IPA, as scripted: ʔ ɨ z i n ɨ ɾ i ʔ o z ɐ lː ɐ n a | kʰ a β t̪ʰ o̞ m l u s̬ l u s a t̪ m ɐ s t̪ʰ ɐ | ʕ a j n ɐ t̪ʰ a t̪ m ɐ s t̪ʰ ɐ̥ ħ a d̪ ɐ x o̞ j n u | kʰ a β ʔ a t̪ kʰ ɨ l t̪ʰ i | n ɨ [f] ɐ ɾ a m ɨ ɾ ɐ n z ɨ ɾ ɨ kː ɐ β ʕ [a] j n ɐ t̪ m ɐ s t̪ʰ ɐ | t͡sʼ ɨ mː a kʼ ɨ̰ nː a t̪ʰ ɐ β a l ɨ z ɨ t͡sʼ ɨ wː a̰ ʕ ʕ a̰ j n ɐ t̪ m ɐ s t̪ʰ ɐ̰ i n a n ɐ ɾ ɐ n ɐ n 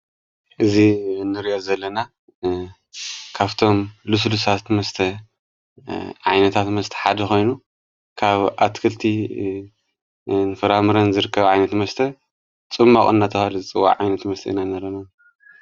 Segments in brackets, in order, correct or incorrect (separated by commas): correct, correct